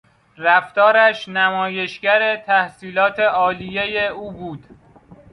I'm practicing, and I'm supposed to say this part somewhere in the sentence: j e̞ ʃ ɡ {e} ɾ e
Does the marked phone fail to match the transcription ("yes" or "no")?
yes